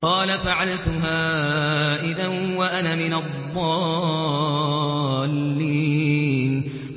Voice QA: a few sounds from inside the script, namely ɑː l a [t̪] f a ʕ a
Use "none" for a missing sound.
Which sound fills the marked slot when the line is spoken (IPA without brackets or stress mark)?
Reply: none